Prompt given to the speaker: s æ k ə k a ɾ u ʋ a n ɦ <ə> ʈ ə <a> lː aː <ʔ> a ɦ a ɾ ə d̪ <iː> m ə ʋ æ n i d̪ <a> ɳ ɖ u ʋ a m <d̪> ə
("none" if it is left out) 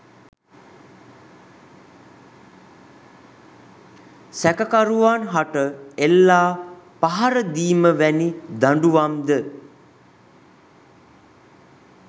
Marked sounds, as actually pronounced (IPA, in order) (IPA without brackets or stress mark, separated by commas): a, e, p, iː, a, d̪